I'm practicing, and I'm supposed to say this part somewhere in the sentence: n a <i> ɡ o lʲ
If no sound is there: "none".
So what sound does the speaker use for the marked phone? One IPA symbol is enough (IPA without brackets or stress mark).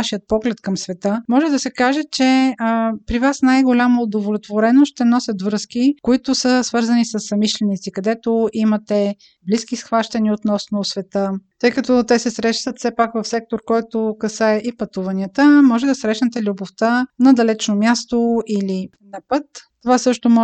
j